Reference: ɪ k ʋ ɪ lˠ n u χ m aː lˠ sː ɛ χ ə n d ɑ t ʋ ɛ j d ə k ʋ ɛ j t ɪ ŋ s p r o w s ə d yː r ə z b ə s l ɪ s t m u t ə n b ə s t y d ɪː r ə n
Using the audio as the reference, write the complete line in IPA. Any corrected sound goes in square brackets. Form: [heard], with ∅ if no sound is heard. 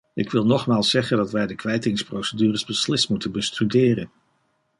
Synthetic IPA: ɪ k ʋ ɪ lˠ n [ɔ] χ m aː lˠ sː ɛ χ ə n d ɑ t ʋ ɛ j d ə k ʋ ɛ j t ɪ ŋ s p r o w s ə d yː r ə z b ə s l ɪ s t m u t ə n b ə s t y d ɪː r ə n